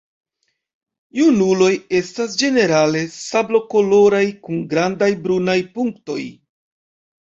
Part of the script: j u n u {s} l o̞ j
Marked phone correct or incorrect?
incorrect